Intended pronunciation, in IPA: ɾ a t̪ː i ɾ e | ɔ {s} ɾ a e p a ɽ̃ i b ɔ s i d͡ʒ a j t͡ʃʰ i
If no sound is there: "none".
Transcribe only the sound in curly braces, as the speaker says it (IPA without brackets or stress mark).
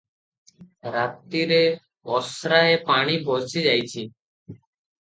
s